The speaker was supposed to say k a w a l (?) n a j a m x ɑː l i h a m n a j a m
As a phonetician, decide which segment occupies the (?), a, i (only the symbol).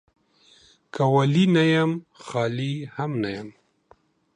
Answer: i